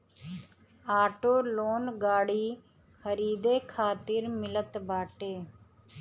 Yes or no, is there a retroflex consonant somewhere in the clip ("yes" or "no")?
yes